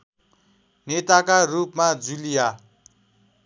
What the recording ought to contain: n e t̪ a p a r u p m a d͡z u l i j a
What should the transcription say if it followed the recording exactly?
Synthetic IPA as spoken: n e t̪ a k a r u p m a d͡z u l i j a

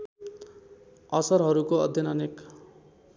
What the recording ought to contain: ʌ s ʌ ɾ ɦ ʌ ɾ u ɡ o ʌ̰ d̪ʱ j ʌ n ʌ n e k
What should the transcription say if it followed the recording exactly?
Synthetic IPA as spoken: ʌ s ʌ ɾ ɦ ʌ ɾ u k o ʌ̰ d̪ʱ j ʌ n ʌ n e k

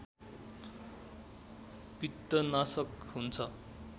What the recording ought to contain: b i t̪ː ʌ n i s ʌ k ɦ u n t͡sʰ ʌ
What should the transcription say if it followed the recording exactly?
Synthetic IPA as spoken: p i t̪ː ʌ n a s ʌ k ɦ u n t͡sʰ ʌ

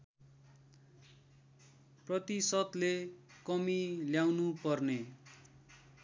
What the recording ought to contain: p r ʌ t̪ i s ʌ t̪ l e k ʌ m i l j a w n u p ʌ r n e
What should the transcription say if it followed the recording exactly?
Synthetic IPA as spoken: p r ʌ t̪ i s ʌ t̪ l e k ʌ m i l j a w n u p ʌ r n e

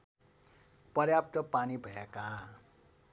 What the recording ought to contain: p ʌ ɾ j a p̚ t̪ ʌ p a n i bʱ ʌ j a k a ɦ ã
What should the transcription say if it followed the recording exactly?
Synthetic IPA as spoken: p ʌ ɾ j a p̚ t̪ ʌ p a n i bʱ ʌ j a k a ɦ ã

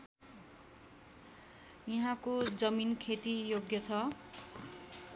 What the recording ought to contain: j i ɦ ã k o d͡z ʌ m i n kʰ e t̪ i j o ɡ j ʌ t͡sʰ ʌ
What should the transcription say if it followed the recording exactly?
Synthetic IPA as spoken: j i ɦ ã k o d͡z ʌ m i n kʰ e t̪ i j o ɡ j ʌ t͡sʰ ʌ

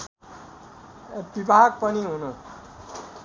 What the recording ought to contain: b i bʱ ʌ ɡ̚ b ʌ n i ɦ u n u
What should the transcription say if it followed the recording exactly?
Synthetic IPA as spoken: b i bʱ a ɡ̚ p ʌ n i ɦ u n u

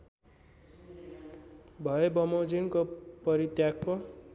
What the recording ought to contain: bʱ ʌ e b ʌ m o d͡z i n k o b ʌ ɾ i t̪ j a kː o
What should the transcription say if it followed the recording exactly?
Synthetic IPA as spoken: bʱ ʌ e b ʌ m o d͡z i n k o p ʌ ɾ i t̪ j a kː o

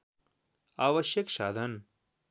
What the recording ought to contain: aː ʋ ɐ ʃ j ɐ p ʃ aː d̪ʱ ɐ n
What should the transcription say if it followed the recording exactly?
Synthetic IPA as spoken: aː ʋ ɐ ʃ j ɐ k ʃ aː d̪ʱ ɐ n

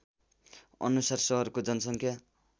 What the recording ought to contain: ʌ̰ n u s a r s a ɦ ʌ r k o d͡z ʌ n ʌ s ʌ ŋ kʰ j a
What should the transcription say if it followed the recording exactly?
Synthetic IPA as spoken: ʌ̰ n u s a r s ʌ ɦ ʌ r k o d͡z ʌ n ʌ s ʌ ŋ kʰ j a

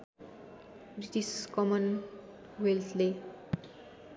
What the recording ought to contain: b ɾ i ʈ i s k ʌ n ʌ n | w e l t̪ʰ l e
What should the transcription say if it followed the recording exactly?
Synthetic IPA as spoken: b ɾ i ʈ i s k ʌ m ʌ n | w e l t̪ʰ l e

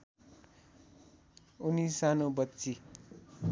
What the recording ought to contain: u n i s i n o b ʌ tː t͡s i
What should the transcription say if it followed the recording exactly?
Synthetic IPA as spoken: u n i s a n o b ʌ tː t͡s i

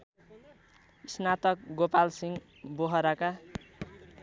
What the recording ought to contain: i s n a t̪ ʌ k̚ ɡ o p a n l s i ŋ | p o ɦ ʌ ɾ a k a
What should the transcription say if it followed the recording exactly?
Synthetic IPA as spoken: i s n a t̪ ʌ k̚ ɡ o p a l s i ŋ | b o ɦ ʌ ɾ a k a

